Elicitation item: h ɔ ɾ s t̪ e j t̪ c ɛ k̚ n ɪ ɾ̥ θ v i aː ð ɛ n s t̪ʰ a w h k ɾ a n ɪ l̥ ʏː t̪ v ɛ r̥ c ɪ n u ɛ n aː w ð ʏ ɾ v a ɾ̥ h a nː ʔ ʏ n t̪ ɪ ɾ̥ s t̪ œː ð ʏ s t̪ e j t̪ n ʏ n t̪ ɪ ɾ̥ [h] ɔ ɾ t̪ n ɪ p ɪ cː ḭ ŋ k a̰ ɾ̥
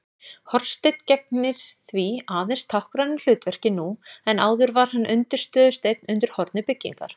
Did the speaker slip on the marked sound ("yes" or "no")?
no